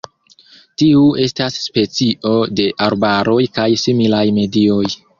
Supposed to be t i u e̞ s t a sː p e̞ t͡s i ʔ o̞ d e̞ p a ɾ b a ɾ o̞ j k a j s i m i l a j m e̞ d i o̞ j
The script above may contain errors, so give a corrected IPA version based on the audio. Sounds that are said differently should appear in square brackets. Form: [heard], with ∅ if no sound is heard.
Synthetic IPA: t i u e̞ s t a sː p e̞ t͡s i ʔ o̞ d e̞ [ʔ] a ɾ b a ɾ o̞ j k a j s i m i l a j m e̞ d i o̞ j